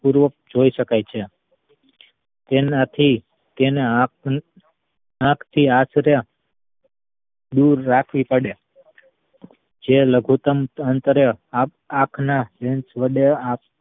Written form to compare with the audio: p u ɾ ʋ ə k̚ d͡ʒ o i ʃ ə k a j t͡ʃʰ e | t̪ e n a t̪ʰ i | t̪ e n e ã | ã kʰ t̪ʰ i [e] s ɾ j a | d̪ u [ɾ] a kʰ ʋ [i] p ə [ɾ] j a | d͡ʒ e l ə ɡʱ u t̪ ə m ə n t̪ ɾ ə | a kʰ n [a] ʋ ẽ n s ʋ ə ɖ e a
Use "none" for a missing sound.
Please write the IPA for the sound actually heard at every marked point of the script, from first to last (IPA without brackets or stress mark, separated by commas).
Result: a, ɾː, i, ɽ, a